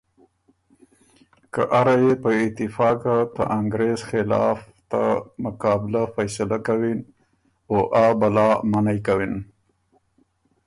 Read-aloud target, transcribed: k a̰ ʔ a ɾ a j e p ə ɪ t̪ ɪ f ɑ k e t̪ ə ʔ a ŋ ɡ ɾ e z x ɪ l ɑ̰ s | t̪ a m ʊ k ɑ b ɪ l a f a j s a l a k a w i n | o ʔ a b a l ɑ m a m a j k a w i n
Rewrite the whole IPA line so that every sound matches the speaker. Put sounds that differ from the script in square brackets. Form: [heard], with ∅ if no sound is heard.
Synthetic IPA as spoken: k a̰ ʔ a ɾ a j e p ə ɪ t̪ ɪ f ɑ k [a] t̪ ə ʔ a ŋ ɡ ɾ e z x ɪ l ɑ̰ [f] | t̪ a m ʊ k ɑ b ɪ l a f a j s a l a k a w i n | o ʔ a b a l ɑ m a [n] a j k a w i n